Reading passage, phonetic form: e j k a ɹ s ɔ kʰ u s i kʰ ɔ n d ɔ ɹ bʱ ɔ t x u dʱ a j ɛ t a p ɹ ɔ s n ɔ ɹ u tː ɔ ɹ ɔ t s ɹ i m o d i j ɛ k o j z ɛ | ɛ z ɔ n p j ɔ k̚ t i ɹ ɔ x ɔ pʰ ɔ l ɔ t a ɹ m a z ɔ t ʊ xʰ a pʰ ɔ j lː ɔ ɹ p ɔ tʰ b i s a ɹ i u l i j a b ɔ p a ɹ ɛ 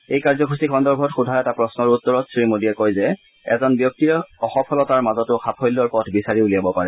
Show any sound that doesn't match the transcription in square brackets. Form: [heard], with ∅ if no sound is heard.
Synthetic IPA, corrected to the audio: e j k a ɹ [z] ɔ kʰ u s i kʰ ɔ n d ɔ ɹ bʱ ɔ t x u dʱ a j ɛ t a p ɹ ɔ s n ɔ ɹ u tː ɔ ɹ ɔ t s ɹ i m o d i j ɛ k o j z ɛ | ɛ z ɔ n [b] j ɔ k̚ t i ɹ ɔ x ɔ pʰ ɔ l ɔ t a ɹ m a z ɔ t ʊ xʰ a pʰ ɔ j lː ɔ ɹ p ɔ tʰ b i s a ɹ i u l i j a b ɔ p a ɹ ɛ